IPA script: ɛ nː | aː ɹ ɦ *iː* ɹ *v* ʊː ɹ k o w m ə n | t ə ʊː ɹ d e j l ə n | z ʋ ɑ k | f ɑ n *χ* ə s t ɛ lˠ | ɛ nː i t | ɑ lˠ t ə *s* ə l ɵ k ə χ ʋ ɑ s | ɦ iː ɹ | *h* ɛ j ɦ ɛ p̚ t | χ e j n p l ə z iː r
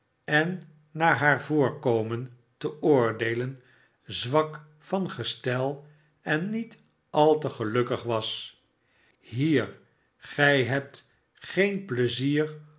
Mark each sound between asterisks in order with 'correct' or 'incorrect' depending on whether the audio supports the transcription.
incorrect: aː, correct, correct, incorrect: χ, incorrect: χ

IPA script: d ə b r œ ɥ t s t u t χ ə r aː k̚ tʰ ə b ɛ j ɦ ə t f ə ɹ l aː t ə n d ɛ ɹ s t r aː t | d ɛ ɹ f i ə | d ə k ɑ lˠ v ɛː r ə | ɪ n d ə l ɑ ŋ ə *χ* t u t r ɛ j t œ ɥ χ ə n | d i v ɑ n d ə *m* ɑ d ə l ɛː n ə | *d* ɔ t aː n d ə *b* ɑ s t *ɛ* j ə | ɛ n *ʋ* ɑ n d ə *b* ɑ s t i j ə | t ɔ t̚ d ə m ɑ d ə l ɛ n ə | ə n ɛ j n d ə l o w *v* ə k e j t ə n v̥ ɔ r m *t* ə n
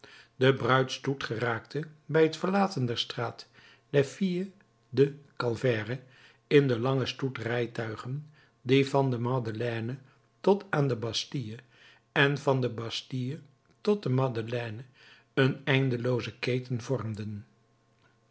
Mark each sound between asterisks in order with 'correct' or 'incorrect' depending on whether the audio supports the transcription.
incorrect: s, correct, incorrect: t, correct, incorrect: i, incorrect: v, correct, incorrect: z, incorrect: d

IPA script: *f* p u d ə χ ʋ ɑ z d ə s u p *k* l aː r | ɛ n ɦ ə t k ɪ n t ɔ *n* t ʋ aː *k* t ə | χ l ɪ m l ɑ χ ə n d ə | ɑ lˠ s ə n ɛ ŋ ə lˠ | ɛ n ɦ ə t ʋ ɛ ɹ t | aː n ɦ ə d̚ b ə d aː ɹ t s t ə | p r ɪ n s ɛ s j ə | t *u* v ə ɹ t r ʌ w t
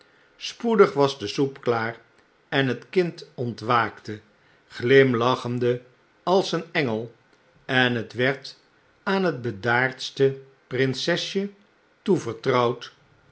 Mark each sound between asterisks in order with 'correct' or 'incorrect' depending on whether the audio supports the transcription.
incorrect: s, correct, correct, correct, correct

